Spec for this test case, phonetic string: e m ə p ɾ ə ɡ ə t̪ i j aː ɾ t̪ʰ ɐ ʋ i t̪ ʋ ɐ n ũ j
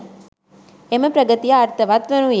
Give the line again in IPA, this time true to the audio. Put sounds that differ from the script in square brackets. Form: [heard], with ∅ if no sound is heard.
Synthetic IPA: e m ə p ɾ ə ɡ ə t̪ i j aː ɾ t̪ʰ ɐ ʋ [a] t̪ ʋ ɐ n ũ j